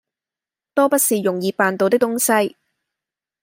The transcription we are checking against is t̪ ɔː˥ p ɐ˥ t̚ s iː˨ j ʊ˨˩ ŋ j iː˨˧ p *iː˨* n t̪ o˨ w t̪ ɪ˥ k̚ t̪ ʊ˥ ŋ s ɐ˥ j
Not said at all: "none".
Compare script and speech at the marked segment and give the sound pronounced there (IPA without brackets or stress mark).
aː˨